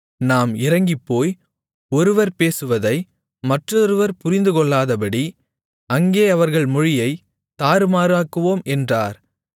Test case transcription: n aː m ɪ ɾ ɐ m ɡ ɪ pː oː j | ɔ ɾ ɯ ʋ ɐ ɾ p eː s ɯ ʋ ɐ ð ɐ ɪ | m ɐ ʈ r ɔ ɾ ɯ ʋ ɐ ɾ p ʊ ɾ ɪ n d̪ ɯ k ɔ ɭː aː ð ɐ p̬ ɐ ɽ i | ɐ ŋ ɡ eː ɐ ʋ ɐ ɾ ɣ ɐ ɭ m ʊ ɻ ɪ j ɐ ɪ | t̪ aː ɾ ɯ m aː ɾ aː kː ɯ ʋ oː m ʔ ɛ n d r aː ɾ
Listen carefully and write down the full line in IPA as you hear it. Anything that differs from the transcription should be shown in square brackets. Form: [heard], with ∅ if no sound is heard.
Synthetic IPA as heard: n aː m ɪ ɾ ɐ [ŋ] ɡ ɪ pː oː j | ɔ ɾ ɯ ʋ ɐ ɾ p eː s ɯ ʋ ɐ ð ɐ ɪ | m ɐ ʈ r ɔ ɾ ɯ ʋ ɐ ɾ p ʊ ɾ ɪ n d̪ ɯ k ɔ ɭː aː ð ɐ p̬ ɐ ɽ i | ɐ ŋ ɡ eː ɐ ʋ ɐ ɾ ɣ ɐ ɭ m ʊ ɻ ɪ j ɐ ɪ | t̪ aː ɾ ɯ m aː ɾ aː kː ɯ ʋ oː m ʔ ɛ n d r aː ɾ